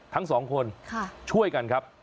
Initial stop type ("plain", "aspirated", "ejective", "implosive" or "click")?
aspirated